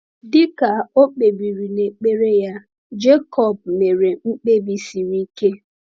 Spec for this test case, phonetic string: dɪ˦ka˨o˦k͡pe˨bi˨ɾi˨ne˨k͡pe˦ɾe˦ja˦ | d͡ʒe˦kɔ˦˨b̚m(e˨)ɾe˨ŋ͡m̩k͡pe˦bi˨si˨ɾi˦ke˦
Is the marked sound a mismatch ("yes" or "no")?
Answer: no